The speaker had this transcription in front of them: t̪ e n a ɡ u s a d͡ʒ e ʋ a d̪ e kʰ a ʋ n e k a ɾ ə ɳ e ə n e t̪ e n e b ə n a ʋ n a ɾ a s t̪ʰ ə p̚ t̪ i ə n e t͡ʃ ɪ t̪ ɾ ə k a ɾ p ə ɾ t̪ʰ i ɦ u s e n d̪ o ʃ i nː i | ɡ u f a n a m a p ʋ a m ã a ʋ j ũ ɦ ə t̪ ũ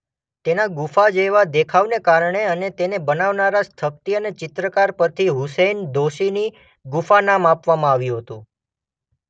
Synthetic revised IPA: t̪ e n a ɡ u f a d͡ʒ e ʋ a d̪ e kʰ a ʋ n e k a ɾ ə ɳ e ə n e t̪ e n e b ə n a ʋ n a ɾ a s t̪ʰ ə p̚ t̪ i ə n e t͡ʃ ɪ t̪ ɾ ə k a ɾ p ə ɾ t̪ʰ i ɦ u s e n d̪ o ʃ i n i | ɡ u f a n a m a p ʋ a m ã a ʋ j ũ ɦ ə t̪ ũ